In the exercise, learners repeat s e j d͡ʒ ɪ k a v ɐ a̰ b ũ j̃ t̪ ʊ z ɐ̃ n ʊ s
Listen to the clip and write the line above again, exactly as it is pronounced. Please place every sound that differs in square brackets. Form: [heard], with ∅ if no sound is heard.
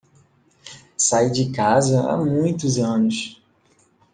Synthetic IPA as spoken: s [a] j d͡ʒ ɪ k a [z] ɐ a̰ [m] ũ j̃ t̪ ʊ z ɐ̃ n ʊ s